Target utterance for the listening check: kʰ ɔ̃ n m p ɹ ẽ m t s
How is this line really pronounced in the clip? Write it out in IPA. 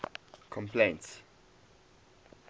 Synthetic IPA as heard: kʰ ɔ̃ m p l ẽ n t s